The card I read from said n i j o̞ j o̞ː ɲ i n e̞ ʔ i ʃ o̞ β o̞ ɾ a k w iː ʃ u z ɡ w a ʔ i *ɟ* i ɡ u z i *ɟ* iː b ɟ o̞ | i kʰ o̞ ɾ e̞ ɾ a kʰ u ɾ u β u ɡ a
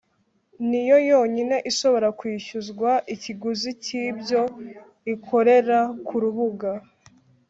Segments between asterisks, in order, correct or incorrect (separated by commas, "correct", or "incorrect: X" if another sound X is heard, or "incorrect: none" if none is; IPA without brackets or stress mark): incorrect: c, incorrect: c